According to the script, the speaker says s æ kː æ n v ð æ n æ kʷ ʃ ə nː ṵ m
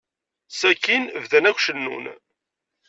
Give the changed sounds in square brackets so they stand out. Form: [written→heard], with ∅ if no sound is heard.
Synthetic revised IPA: s æ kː [æ→i] n v ð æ n æ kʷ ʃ ə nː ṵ [m→n]

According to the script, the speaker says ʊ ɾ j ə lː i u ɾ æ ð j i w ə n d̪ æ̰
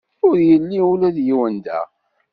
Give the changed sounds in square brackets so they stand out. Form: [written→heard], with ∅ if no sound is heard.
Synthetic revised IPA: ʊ ɾ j ə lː i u [ɾ→l] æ ð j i w ə n d̪ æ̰

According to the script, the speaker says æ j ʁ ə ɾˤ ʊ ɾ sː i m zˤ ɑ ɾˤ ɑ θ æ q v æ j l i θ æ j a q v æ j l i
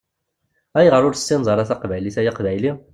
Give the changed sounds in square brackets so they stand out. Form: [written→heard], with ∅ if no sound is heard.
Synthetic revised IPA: æ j ʁ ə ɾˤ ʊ ɾ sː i [m→n] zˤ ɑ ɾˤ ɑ θ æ q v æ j l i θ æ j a q v æ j l i

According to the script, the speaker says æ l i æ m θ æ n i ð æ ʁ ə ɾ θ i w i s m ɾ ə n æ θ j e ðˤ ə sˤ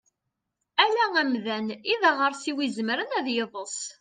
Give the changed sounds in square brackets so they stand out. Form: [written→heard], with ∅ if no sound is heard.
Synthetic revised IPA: æ l [i→æ] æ m [θ→ð] æ n i ð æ ʁ ə ɾ [θ→s] i w i [s→z] m ɾ ə n æ [θ→ð] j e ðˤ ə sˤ

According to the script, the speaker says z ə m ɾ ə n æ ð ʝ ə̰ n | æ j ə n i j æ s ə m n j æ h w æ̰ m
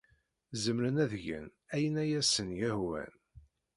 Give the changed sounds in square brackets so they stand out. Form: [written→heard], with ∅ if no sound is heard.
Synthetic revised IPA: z ə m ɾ ə n æ ð ʝ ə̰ n | æ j ə n [i→æ] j æ s ə [m→∅] n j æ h w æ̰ [m→n]

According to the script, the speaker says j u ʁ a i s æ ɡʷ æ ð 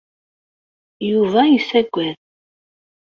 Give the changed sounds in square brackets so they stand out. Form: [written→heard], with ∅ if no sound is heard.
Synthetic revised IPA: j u [ʁ→v] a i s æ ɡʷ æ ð

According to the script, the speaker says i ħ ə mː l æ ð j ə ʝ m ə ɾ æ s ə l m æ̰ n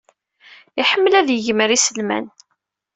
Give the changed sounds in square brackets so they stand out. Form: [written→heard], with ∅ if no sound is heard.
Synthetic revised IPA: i ħ ə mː l æ ð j ə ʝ m ə ɾ [æ→i] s ə l m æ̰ n

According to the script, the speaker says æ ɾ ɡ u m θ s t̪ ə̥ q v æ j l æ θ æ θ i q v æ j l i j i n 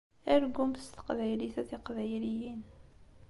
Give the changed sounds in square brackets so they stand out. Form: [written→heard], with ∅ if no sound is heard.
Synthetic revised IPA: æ ɾ ɡ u m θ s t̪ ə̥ q v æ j l [æ→i] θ æ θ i q v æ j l i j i n

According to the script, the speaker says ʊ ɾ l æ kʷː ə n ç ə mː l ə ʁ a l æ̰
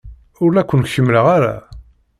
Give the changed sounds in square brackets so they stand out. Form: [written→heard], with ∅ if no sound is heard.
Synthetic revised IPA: ʊ ɾ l æ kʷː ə n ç ə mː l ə ʁ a [l→ɾ] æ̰

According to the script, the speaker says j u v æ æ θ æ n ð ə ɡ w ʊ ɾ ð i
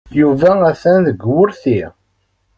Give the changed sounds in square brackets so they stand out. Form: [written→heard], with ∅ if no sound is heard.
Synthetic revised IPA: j u v æ æ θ æ n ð ə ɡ w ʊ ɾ [ð→θ] i

